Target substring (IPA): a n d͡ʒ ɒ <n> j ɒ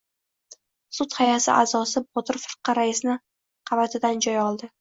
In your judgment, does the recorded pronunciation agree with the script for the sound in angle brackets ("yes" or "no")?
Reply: no